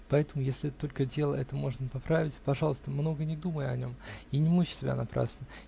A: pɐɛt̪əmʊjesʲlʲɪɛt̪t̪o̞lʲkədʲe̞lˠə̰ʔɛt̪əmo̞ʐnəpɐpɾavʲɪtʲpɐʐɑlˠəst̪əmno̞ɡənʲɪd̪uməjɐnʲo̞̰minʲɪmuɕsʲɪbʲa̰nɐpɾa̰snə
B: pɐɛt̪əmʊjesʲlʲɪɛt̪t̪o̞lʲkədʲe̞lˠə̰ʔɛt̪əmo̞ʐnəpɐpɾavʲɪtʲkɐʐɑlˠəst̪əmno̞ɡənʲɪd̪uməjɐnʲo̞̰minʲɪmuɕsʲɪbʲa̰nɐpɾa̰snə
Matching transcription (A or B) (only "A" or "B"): A